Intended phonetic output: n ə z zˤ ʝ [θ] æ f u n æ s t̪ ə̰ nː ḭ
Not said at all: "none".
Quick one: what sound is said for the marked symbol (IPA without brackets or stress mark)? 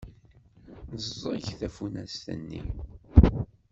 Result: θ